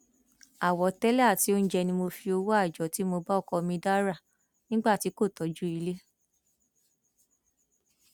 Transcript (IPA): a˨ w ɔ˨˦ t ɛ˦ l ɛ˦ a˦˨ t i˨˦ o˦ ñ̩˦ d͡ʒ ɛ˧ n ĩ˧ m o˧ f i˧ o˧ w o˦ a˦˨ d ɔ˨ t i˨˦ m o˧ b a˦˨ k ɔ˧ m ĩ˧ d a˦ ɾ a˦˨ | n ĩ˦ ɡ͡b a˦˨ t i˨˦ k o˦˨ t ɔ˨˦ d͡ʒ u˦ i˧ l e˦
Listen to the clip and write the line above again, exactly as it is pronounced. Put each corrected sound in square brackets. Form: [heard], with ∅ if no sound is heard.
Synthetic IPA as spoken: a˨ w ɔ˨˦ t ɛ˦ l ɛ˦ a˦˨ t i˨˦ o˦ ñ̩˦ d͡ʒ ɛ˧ n ĩ˧ m o˧ f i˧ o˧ w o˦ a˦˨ [d͡ʒ] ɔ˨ t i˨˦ m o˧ b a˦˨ k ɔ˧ m ĩ˧ d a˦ ɾ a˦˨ | n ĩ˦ ɡ͡b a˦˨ t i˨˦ k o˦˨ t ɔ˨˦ d͡ʒ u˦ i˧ l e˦

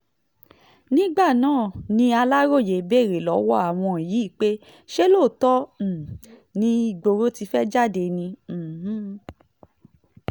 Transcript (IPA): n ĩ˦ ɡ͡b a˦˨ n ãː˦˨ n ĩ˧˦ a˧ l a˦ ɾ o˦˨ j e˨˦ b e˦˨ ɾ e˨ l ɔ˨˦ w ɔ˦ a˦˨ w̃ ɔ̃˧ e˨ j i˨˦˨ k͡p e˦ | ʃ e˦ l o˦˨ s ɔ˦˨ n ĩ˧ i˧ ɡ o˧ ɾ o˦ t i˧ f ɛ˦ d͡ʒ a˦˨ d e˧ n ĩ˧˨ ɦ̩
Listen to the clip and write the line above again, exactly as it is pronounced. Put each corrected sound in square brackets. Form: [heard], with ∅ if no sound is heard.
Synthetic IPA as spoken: n ĩ˦ ɡ͡b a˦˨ n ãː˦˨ n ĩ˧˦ a˧ l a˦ ɾ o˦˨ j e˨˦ b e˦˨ ɾ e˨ l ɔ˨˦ w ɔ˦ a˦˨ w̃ ɔ̃˧ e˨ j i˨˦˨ k͡p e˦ | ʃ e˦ l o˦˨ [t] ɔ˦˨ n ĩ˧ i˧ [ɡ͡b] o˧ ɾ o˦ t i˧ f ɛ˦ d͡ʒ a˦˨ d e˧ n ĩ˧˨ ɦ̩

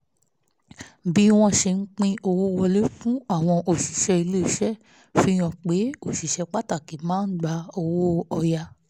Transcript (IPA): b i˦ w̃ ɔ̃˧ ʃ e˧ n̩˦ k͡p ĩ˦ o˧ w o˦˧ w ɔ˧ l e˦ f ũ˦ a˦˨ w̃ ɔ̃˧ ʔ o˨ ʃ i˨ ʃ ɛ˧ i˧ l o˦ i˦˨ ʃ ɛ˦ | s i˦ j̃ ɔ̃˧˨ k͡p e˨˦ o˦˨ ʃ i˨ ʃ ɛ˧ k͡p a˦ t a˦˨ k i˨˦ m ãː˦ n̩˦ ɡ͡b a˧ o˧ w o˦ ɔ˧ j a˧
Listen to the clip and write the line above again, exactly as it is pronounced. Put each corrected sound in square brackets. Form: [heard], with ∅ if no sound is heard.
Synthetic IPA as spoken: b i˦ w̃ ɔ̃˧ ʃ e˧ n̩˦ k͡p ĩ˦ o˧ w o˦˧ w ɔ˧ l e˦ f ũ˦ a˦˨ w̃ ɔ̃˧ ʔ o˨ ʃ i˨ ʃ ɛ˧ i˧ l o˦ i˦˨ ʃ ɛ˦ | [f] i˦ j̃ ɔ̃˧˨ k͡p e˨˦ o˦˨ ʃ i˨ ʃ ɛ˧ k͡p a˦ t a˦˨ k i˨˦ m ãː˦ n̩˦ ɡ͡b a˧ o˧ w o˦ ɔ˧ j a˧

